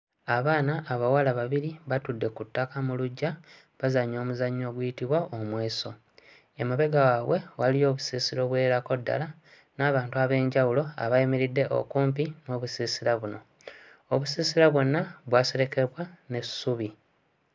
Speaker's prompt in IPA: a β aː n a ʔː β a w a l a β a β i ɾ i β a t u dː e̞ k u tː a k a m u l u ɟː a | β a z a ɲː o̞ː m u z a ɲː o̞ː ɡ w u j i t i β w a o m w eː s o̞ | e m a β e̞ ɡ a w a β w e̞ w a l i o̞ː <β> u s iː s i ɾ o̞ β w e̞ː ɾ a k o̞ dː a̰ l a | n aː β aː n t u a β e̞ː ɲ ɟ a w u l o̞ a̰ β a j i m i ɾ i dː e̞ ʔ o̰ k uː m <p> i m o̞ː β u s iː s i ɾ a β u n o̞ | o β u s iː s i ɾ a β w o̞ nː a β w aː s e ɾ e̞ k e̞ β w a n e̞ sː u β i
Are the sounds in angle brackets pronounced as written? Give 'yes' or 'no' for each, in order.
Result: yes, yes

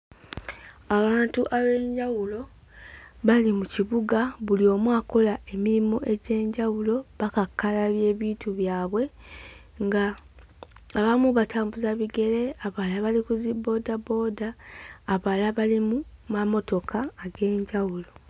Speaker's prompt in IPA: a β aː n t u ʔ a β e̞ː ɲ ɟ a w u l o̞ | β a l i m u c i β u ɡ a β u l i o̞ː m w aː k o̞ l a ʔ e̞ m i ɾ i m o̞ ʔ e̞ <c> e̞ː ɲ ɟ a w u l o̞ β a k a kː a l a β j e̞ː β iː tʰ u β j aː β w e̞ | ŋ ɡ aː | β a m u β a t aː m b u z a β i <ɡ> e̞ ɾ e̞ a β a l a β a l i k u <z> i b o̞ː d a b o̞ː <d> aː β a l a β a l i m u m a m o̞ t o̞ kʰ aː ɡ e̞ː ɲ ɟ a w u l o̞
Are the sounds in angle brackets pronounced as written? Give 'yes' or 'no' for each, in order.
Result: no, yes, yes, yes

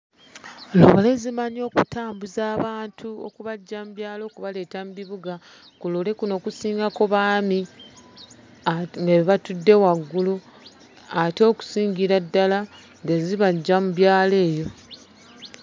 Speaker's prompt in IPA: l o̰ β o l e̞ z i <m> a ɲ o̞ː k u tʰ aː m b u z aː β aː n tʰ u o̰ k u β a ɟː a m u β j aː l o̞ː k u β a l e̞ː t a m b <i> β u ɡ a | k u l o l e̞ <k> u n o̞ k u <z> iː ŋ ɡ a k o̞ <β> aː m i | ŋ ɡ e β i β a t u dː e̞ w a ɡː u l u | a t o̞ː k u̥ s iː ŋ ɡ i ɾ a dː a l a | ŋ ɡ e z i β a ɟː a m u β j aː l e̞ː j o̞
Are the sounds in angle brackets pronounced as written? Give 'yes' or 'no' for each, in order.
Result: yes, yes, yes, no, yes

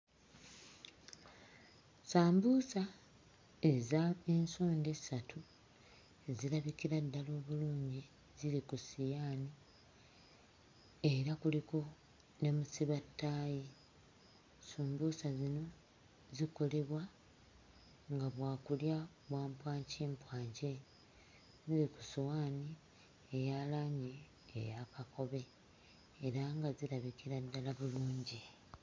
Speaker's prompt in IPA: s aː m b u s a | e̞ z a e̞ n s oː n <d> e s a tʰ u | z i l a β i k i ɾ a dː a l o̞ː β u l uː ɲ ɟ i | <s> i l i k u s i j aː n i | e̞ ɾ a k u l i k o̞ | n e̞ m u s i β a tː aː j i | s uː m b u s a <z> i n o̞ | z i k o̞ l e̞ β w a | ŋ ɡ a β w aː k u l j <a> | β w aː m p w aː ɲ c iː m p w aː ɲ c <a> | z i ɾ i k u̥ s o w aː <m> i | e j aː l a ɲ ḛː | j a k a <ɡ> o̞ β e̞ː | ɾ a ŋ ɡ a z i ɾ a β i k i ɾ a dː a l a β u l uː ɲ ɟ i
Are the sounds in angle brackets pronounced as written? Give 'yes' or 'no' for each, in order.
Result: yes, no, yes, yes, no, no, no

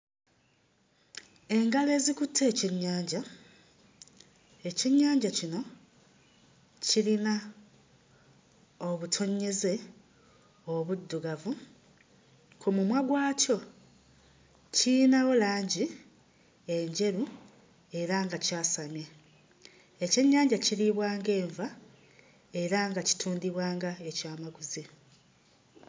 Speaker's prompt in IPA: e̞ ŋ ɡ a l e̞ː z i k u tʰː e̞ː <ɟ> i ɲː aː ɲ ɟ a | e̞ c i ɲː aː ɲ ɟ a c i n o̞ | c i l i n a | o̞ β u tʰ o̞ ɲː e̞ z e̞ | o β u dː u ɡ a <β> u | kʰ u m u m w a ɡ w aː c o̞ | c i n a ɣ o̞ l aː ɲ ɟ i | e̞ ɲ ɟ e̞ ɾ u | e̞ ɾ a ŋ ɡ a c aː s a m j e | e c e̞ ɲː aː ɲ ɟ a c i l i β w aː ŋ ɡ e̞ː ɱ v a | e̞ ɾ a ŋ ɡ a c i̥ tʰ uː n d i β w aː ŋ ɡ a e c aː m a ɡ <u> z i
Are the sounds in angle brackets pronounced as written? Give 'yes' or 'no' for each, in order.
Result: no, no, yes

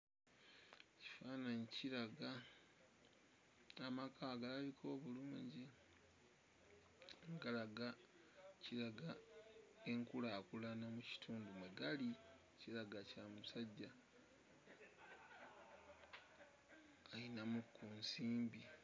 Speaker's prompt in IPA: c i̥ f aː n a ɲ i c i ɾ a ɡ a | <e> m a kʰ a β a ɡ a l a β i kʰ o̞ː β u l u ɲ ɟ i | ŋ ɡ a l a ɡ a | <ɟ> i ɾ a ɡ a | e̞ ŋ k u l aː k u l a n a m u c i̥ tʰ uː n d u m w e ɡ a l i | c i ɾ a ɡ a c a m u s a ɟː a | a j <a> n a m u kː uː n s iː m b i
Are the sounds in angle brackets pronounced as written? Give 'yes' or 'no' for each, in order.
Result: no, no, no

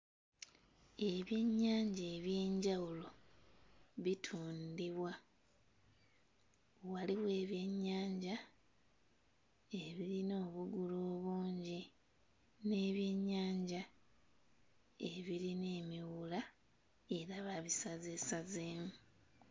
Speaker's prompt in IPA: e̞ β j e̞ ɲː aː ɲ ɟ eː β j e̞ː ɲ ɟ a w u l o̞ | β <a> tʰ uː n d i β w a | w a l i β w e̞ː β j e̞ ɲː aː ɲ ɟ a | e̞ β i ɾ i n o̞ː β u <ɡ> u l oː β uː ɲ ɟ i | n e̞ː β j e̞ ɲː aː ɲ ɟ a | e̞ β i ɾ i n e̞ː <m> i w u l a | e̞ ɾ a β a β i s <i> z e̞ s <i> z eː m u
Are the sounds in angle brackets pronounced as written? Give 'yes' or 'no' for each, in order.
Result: no, yes, yes, no, no

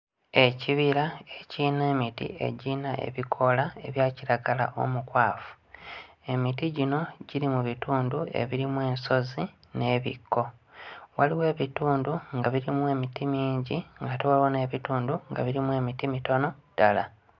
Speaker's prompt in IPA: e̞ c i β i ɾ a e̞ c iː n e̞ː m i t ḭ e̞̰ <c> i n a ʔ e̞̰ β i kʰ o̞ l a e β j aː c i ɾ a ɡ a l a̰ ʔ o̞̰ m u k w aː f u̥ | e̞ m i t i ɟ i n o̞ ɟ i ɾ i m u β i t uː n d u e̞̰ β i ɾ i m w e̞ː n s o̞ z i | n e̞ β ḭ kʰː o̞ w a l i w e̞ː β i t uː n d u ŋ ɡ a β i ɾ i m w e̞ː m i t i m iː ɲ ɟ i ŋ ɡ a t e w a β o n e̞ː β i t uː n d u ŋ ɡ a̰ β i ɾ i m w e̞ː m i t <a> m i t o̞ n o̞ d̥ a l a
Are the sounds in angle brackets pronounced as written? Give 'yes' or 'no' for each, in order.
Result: no, no

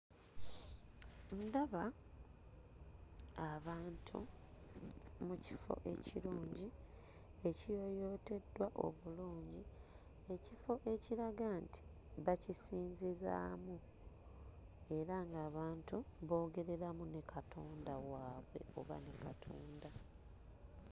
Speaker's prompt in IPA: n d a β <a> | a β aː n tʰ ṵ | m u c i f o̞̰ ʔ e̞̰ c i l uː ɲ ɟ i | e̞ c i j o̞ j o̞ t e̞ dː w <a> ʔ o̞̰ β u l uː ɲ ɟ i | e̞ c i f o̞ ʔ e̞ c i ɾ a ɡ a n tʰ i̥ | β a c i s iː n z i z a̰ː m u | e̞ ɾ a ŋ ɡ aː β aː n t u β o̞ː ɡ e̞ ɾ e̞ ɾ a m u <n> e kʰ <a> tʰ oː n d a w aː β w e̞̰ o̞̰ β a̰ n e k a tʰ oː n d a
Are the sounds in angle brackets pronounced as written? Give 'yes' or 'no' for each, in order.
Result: yes, yes, yes, yes

